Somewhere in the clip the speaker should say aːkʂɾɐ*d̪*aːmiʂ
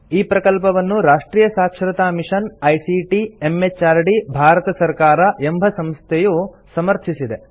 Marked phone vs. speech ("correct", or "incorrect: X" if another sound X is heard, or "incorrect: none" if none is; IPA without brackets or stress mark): incorrect: t̪